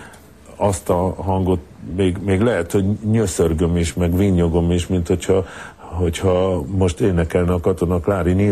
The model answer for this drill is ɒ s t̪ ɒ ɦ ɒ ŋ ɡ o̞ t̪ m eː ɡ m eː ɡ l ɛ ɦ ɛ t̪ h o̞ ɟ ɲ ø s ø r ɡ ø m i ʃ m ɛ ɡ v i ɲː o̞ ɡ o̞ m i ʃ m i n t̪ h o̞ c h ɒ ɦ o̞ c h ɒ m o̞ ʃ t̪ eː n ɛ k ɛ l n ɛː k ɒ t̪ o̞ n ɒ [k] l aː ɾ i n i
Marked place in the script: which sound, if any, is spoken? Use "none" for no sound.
k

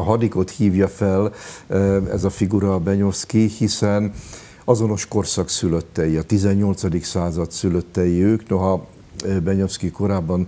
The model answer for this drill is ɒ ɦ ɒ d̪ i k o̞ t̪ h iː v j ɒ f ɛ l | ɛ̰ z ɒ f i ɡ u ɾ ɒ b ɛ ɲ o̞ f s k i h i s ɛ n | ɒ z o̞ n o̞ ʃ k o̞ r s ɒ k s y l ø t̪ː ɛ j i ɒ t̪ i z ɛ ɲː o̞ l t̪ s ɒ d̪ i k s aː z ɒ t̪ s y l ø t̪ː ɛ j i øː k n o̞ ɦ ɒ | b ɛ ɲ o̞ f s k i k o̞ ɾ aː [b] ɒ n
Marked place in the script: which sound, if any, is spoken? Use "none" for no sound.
bː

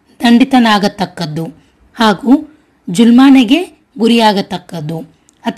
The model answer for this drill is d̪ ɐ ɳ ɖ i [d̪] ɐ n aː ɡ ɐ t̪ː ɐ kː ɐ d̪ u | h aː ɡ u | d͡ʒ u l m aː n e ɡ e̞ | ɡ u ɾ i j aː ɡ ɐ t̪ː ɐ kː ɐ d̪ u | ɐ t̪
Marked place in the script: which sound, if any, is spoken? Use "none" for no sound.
t̪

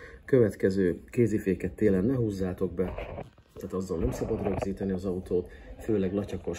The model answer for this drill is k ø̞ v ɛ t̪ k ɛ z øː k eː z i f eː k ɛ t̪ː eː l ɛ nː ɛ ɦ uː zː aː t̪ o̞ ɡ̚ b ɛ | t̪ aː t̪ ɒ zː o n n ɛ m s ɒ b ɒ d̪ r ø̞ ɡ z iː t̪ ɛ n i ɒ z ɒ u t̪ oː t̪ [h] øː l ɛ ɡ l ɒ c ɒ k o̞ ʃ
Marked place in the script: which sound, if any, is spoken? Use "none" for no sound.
f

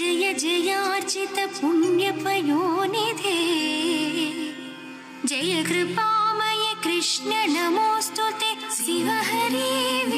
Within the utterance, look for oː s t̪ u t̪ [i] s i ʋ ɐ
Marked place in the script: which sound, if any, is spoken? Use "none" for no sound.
e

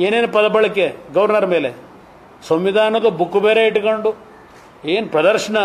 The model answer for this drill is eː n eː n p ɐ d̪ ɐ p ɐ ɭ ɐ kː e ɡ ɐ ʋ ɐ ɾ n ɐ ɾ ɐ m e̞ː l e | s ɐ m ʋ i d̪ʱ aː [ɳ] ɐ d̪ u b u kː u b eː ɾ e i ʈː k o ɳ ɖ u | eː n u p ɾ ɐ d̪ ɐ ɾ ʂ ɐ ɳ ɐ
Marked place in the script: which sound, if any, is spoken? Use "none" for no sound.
n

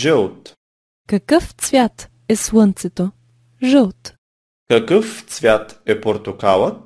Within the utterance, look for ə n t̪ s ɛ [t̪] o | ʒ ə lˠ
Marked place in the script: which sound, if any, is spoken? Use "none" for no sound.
t̪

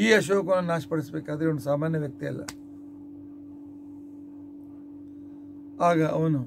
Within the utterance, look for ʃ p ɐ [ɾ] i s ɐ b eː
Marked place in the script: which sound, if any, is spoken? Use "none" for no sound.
ɽ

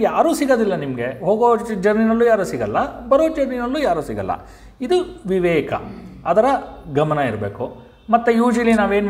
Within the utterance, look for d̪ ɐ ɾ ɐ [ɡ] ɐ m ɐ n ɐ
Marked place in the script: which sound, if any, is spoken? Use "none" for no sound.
ɡ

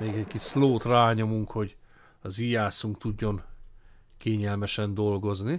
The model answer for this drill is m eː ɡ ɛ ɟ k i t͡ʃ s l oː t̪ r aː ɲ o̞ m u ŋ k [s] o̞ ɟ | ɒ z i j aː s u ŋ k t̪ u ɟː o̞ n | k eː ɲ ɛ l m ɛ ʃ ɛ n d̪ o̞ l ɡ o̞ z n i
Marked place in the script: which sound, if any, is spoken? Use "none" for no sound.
h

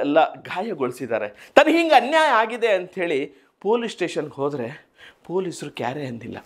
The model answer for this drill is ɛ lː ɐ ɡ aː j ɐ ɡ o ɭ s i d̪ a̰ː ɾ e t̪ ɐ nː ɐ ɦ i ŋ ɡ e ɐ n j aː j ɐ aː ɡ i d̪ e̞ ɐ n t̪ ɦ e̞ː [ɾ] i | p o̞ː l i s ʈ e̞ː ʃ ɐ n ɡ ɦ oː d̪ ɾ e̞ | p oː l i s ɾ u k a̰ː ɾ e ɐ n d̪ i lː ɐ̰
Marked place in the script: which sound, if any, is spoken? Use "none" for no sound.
ɭ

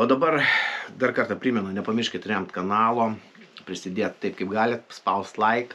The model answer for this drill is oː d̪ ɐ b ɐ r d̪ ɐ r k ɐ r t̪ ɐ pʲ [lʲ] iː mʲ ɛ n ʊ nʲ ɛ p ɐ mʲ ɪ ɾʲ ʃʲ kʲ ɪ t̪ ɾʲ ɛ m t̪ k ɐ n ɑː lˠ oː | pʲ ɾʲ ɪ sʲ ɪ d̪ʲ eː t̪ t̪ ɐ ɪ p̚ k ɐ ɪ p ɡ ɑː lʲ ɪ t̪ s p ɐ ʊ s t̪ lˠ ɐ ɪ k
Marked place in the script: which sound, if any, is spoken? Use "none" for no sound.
ɾʲ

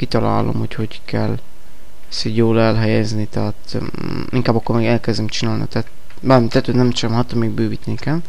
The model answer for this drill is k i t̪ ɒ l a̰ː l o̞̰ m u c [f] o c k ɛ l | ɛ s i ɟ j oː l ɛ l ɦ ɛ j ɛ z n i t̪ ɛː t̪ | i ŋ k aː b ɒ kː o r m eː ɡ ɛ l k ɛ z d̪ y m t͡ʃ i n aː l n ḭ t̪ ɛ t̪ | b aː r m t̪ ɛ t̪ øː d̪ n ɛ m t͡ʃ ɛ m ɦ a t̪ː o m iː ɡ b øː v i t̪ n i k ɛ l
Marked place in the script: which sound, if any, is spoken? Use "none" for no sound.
h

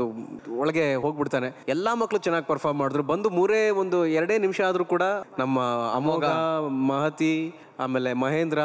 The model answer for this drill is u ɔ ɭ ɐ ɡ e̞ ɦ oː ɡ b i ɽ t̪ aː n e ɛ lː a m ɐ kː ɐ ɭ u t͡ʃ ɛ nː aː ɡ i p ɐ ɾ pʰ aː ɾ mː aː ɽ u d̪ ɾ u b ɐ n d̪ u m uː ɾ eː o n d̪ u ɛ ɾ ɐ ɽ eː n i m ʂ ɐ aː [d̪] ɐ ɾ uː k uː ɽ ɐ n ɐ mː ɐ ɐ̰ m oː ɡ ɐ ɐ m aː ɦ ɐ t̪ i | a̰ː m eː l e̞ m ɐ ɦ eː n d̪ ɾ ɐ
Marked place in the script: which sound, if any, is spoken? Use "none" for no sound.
d̪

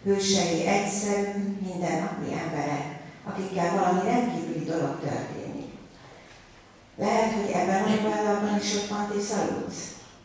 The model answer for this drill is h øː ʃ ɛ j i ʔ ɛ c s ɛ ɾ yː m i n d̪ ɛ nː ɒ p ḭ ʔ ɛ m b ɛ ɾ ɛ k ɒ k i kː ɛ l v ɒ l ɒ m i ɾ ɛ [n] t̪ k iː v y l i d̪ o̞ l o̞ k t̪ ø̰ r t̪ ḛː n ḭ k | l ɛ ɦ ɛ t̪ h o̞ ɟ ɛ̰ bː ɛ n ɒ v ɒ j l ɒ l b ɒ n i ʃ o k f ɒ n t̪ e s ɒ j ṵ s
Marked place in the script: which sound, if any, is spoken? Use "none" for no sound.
n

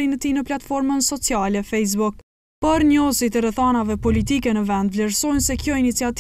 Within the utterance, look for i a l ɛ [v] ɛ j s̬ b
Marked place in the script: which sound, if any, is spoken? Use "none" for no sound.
f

